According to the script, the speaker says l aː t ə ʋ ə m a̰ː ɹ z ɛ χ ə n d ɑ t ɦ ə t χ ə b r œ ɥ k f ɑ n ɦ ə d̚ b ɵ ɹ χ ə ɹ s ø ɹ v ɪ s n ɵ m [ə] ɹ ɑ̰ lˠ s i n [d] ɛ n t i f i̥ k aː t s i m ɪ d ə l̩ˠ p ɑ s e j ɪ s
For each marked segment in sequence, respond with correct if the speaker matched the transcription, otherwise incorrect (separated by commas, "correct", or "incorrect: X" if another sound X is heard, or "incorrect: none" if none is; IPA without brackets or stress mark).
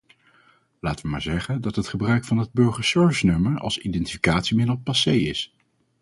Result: correct, correct